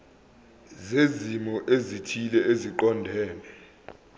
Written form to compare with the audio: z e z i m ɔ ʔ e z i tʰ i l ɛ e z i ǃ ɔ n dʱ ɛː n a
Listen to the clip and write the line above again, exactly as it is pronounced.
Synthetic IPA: z e z i m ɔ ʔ e z i tʰ i l ɛ e z i ǃ ɔ n dʱ ɛː n ɛ